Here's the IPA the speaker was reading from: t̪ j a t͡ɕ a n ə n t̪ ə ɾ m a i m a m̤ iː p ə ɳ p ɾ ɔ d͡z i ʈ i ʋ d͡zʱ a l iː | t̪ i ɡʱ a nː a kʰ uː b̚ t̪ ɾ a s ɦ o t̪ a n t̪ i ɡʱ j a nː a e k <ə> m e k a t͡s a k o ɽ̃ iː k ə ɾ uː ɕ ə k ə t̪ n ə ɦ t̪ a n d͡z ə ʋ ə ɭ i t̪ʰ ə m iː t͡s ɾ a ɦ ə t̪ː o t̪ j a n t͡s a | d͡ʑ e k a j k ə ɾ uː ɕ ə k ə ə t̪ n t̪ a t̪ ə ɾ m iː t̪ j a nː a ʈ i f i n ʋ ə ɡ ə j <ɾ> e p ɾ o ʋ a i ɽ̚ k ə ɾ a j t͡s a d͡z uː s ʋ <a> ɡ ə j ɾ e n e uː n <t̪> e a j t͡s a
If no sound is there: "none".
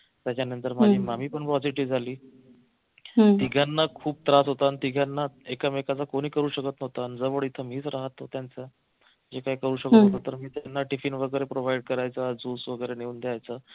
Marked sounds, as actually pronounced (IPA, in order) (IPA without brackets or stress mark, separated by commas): a, ɾ, ə, d̪